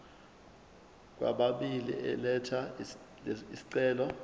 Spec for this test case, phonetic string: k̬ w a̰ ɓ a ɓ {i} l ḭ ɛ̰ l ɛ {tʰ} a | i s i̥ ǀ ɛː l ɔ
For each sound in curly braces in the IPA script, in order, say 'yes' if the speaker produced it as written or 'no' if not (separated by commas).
yes, yes